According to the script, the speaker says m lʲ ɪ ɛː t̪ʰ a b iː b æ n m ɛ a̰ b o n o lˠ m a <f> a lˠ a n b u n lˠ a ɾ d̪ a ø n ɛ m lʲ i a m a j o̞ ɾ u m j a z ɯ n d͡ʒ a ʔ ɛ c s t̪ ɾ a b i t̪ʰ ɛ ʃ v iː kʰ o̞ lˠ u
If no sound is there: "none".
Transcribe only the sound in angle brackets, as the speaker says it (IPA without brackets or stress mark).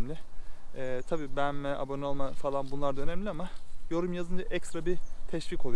f